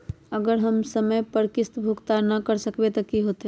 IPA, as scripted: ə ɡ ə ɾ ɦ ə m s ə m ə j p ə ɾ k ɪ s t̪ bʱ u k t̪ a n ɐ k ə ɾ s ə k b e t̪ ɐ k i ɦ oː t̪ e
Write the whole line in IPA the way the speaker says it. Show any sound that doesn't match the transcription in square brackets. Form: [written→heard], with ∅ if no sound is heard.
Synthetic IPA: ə ɡ ə ɾ ɦ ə m s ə m ə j p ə ɾ k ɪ s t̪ bʱ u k t̪ a n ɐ k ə ɾ s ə k b e t̪ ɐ k i ɦ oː t̪ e